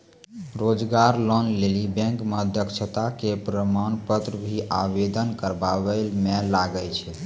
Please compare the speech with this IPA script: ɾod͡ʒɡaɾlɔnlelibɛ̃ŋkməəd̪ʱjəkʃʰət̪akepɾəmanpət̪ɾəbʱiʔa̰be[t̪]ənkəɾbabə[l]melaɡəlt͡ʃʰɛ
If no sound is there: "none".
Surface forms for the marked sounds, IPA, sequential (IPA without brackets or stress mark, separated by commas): d̪, l